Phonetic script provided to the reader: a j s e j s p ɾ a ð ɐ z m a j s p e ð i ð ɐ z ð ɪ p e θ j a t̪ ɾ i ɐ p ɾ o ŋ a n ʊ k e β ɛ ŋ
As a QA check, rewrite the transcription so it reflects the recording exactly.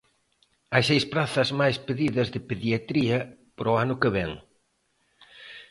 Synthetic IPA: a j s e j s p ɾ a θ ɐ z m a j s p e ð i ð ɐ z ð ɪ p e ð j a t̪ ɾ i ɐ p ɾ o a n ʊ k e β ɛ ŋ